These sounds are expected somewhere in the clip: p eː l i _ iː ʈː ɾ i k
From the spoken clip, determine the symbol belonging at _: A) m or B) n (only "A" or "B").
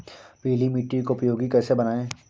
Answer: A